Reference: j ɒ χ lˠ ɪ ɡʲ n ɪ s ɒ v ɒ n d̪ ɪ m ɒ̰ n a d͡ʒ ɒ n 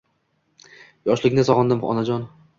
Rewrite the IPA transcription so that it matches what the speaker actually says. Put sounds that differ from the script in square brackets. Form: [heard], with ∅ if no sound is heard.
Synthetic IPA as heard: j ɒ [ʃ] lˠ ɪ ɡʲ n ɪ s ɒ [ʁ] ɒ n d̪ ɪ m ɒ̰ n a d͡ʒ ɒ n